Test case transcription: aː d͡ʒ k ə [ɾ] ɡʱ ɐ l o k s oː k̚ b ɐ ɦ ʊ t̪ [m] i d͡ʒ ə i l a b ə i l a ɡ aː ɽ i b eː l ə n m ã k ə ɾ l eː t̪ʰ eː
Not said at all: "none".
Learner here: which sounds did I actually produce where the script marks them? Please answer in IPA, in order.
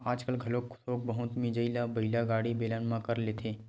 l, m

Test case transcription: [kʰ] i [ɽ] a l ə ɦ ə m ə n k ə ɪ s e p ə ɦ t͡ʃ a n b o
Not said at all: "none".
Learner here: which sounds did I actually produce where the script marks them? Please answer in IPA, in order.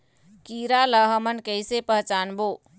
k, ɾ

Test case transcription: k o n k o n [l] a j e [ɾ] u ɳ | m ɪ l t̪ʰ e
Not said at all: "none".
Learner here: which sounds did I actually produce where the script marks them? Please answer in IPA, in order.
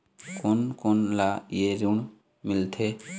l, ɾ

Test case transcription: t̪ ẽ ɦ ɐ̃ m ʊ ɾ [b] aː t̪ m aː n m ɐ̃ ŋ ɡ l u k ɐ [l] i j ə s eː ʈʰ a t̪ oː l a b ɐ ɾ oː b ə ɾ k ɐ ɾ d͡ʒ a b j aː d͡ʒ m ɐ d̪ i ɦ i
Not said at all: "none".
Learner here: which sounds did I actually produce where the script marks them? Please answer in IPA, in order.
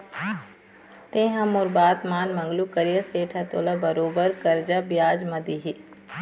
b, ɾ

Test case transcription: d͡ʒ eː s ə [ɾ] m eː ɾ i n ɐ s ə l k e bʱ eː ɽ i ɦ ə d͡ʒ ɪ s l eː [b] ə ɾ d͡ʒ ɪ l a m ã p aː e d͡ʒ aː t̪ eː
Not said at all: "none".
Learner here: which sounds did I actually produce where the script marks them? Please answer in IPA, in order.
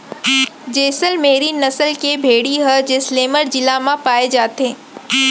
l, m

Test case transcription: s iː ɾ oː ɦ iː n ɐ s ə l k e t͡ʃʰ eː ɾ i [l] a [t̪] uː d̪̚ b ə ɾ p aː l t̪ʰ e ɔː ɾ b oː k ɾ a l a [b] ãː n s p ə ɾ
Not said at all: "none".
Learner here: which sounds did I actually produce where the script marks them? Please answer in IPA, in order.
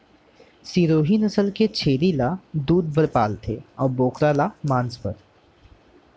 l, d̪, m

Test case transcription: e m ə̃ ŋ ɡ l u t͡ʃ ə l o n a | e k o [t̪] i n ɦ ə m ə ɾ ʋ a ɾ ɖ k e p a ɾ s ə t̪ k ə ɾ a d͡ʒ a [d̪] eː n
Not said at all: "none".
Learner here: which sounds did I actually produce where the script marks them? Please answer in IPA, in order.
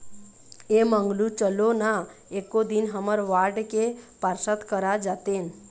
d̪, t̪

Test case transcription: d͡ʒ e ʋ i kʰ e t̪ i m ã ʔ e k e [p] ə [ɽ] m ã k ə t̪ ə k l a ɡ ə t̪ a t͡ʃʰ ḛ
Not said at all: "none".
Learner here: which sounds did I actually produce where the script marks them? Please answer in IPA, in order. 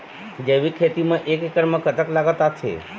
k, ɾ

